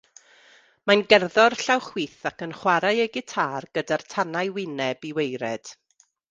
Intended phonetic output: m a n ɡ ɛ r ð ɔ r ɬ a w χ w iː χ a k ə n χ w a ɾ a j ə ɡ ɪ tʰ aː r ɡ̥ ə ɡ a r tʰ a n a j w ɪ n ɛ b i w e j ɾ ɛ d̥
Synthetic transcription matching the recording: m a n ɡ ɛ r ð ɔ r ɬ a w χ w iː θ a k ə n χ w a ɾ a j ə ɡ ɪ tʰ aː r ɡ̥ ə d a r tʰ a n a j w ɪ n ɛ b i w e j ɾ ɛ d̥